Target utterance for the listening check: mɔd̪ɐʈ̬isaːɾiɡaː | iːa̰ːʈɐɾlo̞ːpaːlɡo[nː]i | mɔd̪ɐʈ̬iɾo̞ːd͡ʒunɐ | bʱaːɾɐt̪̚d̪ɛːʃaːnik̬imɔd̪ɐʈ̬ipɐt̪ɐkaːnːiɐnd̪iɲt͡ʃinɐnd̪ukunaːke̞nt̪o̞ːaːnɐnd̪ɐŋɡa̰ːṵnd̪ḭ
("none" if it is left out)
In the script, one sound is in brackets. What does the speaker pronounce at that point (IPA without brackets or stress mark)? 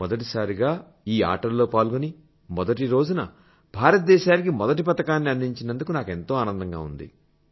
n